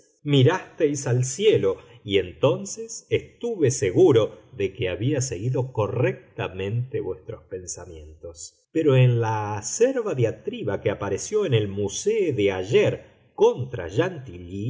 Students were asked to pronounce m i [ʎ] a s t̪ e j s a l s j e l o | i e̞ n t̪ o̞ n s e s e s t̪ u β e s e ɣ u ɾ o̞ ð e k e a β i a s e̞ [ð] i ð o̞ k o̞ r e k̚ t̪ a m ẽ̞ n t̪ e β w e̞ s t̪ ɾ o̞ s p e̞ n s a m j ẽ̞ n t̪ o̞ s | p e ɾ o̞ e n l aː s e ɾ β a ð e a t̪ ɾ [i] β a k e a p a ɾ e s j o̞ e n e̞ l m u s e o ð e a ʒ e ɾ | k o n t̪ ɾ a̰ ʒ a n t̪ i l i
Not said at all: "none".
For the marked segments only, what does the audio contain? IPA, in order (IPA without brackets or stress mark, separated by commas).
ɾ, ɣ, i